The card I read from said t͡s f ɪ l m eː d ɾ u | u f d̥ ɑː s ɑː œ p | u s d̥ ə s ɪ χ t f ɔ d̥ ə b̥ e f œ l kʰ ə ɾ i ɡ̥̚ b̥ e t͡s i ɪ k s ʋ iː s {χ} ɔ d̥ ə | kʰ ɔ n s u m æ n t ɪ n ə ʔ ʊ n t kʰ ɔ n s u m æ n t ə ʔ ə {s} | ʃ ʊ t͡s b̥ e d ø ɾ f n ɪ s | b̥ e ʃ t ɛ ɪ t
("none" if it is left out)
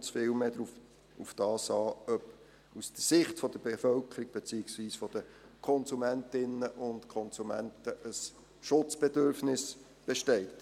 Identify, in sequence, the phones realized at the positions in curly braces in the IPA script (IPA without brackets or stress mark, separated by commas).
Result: f, s